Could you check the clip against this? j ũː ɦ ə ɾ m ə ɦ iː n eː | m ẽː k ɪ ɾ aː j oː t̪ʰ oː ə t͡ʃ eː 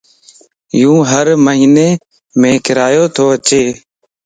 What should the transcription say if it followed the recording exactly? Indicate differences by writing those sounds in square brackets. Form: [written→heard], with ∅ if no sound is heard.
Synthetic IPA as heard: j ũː ɦ ə ɾ m ə ɦ iː n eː | m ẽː k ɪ ɾ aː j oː t̪ʰ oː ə t͡ʃ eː